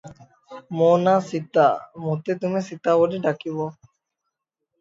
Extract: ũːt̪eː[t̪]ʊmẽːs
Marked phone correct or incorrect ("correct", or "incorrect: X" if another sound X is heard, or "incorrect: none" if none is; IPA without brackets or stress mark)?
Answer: correct